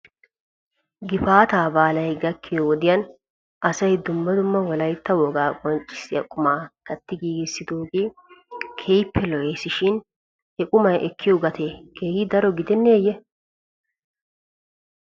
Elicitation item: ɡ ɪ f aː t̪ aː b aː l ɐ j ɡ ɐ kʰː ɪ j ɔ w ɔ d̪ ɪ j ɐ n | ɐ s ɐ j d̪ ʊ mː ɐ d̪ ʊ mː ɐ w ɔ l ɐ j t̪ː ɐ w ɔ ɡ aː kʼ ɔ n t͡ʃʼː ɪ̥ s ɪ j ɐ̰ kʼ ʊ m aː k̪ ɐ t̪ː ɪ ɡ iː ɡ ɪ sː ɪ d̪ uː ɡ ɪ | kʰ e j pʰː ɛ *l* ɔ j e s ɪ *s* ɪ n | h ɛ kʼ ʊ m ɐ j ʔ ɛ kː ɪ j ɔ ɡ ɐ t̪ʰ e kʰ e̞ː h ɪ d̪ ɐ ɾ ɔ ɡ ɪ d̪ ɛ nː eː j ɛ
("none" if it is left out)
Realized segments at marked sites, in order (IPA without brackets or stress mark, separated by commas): l, ʃ